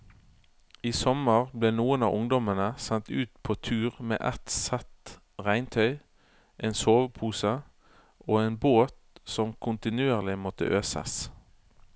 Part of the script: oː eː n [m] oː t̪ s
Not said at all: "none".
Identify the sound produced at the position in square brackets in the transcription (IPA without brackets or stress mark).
b